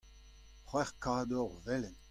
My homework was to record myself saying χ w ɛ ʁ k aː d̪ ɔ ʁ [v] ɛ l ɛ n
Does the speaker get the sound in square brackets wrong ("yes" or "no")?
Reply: no